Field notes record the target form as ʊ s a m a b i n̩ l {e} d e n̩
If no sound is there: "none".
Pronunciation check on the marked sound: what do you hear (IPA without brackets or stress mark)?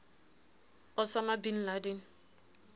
a